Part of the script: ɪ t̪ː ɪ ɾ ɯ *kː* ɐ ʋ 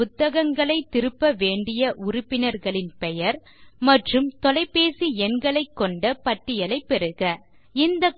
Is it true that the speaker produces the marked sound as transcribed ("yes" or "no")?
no